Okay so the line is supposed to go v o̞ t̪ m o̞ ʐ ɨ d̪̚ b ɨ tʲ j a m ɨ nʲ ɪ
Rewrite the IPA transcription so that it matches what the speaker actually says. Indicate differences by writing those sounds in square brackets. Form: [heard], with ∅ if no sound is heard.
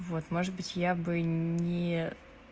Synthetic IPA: v o̞ t̪ m o̞ ʐ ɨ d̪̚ b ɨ tʲ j a [b] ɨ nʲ ɪ

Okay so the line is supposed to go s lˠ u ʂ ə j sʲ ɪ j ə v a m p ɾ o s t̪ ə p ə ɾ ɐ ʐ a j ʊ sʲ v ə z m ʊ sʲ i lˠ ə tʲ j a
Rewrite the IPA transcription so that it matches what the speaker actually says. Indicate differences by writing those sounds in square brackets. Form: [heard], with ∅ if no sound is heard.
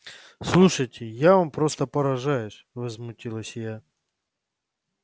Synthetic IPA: s lˠ u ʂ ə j [tʲ] ɪ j [a] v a m p ɾ o s t̪ ə p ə ɾ ɐ ʐ a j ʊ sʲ v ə z m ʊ [tʲ] i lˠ ə [sʲ] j a

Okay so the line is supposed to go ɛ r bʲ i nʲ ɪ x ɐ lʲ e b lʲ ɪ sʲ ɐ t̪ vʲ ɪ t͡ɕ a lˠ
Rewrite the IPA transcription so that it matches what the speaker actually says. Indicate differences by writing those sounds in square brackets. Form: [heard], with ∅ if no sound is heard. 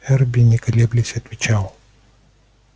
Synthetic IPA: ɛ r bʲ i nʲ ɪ [k] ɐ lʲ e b lʲ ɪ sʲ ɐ t̪ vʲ ɪ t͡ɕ a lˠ

